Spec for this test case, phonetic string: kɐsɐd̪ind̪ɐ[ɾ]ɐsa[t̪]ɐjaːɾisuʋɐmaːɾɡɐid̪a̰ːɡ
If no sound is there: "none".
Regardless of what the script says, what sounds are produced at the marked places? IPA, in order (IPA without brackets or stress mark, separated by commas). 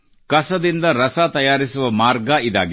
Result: ɾ, t̪